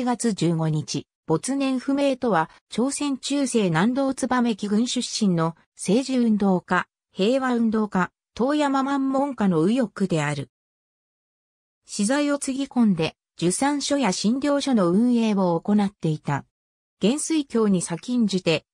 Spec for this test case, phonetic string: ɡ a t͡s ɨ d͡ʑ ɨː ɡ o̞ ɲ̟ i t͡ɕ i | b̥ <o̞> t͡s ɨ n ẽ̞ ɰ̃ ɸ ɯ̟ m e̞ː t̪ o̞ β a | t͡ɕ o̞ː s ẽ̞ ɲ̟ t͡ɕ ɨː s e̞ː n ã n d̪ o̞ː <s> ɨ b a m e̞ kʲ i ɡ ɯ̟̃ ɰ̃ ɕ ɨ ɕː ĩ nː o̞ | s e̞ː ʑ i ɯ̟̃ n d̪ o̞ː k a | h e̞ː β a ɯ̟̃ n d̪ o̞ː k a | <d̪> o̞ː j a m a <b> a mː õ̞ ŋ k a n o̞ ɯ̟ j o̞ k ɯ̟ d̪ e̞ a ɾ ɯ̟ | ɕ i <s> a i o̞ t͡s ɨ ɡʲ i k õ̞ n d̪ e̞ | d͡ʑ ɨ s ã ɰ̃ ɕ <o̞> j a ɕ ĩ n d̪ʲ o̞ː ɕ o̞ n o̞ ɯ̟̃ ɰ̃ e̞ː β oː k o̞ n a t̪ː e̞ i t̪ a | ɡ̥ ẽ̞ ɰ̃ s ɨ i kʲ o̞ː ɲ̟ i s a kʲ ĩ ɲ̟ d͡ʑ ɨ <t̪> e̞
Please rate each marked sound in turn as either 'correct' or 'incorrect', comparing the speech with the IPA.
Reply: correct, incorrect: t͡s, incorrect: t̪, incorrect: m, incorrect: z, correct, correct

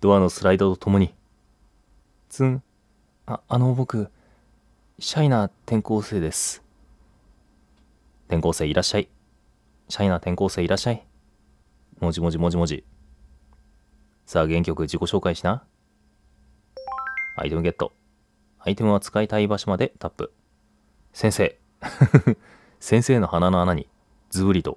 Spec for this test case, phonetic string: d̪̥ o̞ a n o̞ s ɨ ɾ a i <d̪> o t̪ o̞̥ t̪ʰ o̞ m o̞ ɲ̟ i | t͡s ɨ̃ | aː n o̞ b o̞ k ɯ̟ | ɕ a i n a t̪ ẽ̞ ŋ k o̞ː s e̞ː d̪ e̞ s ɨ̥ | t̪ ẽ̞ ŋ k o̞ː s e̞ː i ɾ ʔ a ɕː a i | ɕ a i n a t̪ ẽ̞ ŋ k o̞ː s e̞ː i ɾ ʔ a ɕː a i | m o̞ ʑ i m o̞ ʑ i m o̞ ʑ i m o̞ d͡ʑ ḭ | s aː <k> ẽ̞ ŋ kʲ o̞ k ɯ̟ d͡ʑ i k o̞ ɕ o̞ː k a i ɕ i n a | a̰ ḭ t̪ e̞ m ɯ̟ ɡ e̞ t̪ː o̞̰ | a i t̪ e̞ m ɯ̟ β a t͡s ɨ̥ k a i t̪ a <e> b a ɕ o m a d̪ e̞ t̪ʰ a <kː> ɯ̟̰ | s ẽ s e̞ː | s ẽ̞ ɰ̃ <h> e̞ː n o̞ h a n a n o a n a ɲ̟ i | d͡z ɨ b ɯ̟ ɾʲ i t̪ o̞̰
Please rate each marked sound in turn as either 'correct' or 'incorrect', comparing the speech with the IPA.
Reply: correct, incorrect: ɡ, incorrect: i, incorrect: pː, incorrect: s

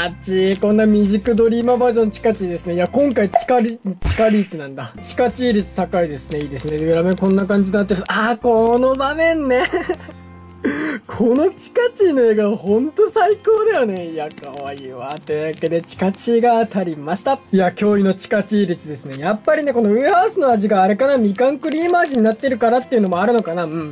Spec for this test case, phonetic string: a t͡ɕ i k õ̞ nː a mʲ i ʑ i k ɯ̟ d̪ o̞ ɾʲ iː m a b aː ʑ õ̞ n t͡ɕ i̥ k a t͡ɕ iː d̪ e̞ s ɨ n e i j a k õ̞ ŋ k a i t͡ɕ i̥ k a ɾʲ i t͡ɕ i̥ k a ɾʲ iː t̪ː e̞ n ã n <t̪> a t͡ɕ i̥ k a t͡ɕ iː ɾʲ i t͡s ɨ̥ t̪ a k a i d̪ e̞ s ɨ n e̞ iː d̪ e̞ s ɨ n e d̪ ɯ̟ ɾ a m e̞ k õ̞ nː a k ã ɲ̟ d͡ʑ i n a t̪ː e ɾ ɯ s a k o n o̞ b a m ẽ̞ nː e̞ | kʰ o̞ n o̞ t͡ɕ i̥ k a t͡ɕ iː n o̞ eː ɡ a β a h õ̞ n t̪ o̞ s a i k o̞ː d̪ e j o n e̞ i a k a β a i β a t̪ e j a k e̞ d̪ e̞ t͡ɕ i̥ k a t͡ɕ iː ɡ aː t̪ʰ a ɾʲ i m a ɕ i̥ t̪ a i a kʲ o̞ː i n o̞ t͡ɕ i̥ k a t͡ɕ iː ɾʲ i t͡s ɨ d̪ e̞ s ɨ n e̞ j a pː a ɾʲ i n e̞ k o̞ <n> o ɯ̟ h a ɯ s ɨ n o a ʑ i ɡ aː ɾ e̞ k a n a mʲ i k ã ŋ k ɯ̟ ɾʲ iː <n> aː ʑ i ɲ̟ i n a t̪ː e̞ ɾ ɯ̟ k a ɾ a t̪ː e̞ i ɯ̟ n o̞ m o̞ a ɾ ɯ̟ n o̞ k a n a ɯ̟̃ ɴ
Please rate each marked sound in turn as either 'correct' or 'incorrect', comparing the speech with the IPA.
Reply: incorrect: d̪, correct, incorrect: m

